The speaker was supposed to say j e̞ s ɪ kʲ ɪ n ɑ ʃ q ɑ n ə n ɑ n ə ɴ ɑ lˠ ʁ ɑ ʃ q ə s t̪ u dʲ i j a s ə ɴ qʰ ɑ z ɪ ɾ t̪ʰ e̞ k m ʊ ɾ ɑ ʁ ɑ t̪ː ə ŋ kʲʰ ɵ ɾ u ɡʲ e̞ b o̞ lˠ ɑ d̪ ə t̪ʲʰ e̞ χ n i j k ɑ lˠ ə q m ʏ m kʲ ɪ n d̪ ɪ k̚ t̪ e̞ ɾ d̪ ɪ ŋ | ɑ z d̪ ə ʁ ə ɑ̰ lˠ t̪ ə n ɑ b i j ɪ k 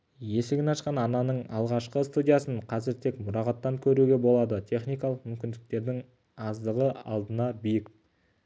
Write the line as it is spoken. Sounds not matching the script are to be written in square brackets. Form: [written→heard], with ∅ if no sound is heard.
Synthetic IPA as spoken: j e̞ s ɪ [kʲ→ɡʲ] ɪ n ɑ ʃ q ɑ n [ə→ɑ] n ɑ n ə ɴ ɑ lˠ ʁ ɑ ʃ q ə s t̪ u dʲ i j a s ə ɴ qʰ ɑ z ɪ ɾ t̪ʰ e̞ k m ʊ ɾ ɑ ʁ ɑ t̪ː [ə→ɑ] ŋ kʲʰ ɵ ɾ u ɡʲ e̞ b o̞ lˠ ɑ d̪ ə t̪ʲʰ e̞ χ n i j k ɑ lˠ ə q m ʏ m kʲ ɪ n d̪ ɪ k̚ t̪ e̞ ɾ d̪ ɪ ŋ | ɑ z d̪ ə ʁ ə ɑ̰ lˠ [t̪→d̪] ə n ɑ b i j ɪ k